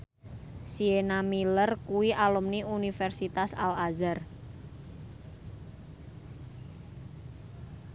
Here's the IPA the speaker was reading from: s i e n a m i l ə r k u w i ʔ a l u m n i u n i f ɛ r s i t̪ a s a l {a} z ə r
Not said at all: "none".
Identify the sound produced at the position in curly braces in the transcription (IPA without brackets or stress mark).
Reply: a